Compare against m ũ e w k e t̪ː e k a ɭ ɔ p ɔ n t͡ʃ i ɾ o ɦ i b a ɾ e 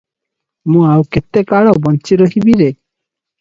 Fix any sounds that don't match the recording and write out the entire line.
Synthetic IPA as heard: m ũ a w k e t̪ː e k a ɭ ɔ b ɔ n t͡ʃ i ɾ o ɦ i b i ɾ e